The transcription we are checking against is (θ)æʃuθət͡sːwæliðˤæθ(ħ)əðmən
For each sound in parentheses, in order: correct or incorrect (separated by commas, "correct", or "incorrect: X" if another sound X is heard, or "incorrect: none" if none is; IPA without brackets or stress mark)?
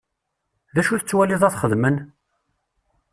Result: incorrect: ð, incorrect: χ